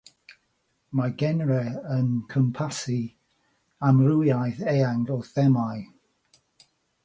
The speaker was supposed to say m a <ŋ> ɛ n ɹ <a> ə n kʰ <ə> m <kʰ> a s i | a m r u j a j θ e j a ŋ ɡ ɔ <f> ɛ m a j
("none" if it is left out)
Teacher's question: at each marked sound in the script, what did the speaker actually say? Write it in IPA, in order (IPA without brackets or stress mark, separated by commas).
ɡ, ɛ, ə, pʰ, θ